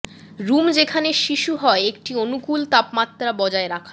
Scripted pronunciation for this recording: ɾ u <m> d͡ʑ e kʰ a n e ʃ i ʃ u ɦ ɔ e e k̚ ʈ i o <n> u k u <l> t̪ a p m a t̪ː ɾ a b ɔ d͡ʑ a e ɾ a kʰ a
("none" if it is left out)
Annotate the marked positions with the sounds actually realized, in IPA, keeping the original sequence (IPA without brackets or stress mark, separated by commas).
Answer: m, n, l